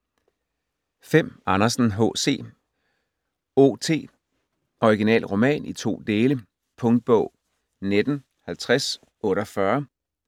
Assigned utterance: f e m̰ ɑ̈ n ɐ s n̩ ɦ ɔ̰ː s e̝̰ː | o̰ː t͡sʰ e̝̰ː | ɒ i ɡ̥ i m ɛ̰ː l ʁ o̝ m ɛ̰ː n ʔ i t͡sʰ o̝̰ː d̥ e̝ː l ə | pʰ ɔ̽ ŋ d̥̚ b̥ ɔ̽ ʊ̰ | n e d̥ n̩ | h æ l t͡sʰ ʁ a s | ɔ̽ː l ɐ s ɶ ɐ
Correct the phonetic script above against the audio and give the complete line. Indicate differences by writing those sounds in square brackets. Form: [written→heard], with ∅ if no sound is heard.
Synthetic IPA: f e m̰ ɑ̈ n ɐ s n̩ ɦ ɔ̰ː s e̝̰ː | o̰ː t͡sʰ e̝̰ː | ɒ i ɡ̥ i [m→n] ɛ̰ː l ʁ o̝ m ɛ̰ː n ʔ i t͡sʰ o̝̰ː d̥ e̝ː l ə | pʰ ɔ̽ ŋ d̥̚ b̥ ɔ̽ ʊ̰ | n e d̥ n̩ | h æ l t͡sʰ ʁ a s | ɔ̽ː [l→ɾ] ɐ [s→f] ɶ ɐ